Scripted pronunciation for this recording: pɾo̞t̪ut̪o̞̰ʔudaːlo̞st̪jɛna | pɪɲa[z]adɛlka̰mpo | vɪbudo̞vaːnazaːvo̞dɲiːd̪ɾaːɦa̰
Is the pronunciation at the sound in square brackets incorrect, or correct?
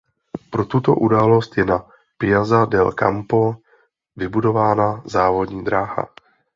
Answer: correct